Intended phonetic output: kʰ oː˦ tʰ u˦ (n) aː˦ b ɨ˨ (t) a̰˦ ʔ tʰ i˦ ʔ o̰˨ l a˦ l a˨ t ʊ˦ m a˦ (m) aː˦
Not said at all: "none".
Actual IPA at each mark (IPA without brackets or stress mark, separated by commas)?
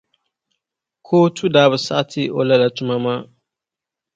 d, s, m